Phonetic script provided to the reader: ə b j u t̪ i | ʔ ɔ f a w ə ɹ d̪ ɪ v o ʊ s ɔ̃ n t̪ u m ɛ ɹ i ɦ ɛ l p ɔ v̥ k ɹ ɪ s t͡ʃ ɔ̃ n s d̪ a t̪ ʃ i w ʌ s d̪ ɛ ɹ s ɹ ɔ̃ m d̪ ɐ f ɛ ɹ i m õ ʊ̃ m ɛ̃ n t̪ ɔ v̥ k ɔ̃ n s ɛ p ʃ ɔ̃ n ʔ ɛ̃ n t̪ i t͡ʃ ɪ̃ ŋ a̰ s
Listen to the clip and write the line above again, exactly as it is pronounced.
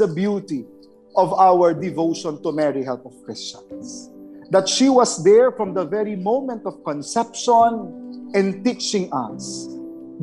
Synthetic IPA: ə b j u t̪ i | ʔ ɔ v a w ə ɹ d̪ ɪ v o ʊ ʃ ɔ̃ n t̪ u m ɛ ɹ i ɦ ɛ l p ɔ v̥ k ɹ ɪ s t͡ʃ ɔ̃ n s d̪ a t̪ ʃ i w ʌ s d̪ ɛ ɹ f ɹ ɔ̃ m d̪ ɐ v ɛ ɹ i m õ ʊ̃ m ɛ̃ n t̪ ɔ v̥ k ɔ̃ n s ɛ p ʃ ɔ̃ n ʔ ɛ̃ n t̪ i t͡ʃ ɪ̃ ŋ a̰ s